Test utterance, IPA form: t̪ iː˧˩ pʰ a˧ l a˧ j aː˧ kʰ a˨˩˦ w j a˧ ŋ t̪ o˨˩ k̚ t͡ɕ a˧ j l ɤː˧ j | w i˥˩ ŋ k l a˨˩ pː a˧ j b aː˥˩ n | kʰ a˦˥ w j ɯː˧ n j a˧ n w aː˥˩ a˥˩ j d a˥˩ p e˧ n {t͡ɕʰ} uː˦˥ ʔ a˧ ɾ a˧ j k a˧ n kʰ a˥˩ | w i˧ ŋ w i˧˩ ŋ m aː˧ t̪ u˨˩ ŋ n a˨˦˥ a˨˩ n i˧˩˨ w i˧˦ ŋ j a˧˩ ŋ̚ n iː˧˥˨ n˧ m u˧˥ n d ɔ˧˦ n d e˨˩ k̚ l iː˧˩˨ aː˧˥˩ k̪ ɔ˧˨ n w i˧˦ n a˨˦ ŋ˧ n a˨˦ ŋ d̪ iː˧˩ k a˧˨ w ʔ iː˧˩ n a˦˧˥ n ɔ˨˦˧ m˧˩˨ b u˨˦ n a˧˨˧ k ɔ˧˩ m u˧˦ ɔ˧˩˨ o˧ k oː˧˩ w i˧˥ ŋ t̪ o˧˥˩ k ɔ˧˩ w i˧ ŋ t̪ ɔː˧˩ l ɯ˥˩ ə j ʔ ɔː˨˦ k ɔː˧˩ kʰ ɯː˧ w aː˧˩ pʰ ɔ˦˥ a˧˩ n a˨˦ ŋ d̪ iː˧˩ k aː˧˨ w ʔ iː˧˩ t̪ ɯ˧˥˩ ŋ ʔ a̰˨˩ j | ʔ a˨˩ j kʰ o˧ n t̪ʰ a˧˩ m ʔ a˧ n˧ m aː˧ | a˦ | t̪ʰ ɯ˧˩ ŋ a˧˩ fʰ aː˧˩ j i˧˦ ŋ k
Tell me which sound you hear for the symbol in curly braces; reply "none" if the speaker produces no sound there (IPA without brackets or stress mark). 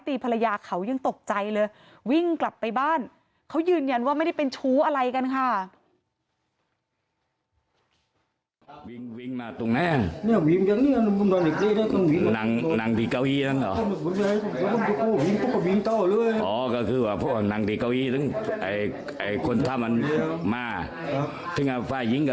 t͡ɕʰ